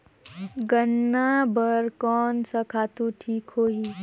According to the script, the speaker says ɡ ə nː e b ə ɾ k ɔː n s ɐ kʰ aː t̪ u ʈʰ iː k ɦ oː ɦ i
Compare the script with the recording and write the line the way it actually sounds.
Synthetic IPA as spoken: ɡ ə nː a b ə ɾ k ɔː n s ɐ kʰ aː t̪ u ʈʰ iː k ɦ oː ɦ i